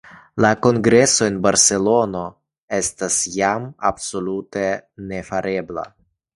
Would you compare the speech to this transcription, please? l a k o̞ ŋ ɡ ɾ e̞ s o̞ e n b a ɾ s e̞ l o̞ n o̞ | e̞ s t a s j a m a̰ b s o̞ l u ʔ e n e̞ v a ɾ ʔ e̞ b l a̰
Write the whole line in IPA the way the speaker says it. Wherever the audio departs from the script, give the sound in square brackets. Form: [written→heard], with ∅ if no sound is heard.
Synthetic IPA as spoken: l a k o̞ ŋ ɡ ɾ e̞ s o̞ e n b a ɾ s e̞ l o̞ n o̞ | e̞ s t a s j a m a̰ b s o̞ l u [ʔ→t] e n e̞ [v→f] a ɾ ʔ e̞ b l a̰